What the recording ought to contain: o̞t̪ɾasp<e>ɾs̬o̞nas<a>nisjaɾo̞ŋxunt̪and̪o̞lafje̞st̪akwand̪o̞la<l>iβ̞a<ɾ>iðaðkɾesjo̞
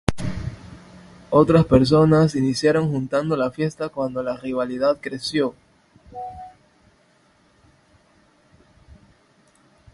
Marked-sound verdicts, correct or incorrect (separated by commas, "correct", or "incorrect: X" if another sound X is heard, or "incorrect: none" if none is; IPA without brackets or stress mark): correct, incorrect: i, incorrect: r, incorrect: l